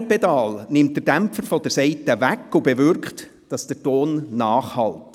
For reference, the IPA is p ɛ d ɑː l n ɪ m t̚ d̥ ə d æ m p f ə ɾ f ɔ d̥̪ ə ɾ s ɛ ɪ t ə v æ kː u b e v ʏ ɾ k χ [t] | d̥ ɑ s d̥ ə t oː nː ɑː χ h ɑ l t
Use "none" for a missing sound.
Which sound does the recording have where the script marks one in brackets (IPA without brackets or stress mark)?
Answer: t